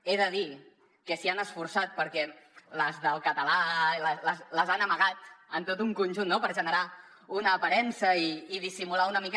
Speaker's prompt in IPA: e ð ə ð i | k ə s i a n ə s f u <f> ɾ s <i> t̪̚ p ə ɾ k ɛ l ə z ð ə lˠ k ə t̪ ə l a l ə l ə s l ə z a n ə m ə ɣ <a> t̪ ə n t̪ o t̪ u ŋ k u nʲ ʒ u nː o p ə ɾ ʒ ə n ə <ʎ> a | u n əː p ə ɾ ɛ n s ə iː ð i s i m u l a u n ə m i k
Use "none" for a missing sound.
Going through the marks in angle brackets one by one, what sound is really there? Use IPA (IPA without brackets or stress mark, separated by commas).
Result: none, a, a, ɾ